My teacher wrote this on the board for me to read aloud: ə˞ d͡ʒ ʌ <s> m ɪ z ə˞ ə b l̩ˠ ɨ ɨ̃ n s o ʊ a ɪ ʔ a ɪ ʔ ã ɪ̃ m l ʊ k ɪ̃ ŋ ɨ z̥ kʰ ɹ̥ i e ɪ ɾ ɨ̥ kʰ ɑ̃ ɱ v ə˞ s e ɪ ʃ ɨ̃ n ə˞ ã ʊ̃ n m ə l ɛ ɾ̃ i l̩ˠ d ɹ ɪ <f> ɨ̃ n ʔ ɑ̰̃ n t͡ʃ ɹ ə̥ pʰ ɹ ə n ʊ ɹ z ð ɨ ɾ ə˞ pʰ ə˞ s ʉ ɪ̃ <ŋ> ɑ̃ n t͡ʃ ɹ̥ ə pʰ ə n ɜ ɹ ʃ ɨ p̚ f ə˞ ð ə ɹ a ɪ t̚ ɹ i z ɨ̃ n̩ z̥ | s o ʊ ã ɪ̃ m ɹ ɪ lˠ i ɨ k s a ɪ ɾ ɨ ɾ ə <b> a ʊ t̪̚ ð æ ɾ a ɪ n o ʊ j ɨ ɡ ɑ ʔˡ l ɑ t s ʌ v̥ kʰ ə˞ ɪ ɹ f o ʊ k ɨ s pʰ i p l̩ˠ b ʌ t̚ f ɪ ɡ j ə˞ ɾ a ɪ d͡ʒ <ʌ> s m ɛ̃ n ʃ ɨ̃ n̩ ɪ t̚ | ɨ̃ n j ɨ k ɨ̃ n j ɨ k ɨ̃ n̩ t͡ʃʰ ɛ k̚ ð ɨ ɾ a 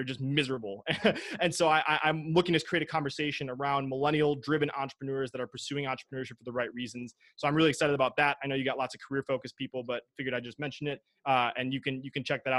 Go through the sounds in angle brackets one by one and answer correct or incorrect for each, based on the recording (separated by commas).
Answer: correct, incorrect, correct, correct, correct